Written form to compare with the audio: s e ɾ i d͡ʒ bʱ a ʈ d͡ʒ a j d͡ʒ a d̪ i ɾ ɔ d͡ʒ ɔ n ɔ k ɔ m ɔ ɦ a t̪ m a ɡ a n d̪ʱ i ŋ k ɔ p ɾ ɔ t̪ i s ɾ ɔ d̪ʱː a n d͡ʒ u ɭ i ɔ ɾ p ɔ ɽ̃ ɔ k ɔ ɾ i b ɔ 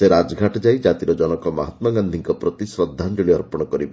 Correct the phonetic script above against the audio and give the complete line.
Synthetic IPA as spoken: s e ɾ a d͡ʒ ɡʱ a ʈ d͡ʒ a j d͡ʒ a t̪ i ɾ ɔ d͡ʒ ɔ n ɔ k ɔ m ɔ ɦ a t̪ m a ɡ a n d̪ʱ i ŋ k ɔ p ɾ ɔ t̪ i s ɾ ɔ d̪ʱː a n d͡ʒ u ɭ i ɔ ɾ p ɔ ɽ̃ ɔ k ɔ ɾ i b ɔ